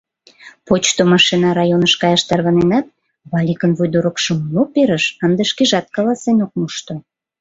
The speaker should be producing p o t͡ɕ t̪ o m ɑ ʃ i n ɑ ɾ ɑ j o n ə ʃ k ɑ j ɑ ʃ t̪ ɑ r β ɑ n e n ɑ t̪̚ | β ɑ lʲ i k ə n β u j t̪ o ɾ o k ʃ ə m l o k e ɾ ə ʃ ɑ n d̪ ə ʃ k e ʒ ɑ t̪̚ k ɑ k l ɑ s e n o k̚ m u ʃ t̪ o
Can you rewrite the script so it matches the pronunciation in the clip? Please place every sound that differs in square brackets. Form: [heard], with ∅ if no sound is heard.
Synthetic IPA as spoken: p o t͡ɕ t̪ o m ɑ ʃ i n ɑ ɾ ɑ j o n ə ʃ k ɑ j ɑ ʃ t̪ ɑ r β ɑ n e n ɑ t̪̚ | β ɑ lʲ i k ə n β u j [d̪] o ɾ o k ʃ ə m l o [p] e ɾ ə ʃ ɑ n d̪ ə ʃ k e ʒ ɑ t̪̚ k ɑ [∅] l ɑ s e n o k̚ m u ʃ t̪ o